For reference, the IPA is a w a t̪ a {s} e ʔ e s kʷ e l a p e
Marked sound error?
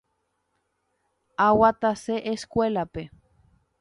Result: no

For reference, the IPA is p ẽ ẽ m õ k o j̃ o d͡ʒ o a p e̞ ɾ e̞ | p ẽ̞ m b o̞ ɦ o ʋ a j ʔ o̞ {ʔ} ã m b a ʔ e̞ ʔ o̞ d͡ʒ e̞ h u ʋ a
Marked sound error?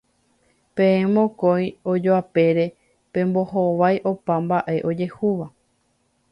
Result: yes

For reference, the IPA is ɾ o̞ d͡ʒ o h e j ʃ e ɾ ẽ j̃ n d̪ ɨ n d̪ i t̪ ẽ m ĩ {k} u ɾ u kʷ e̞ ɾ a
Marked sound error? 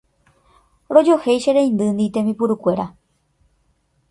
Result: yes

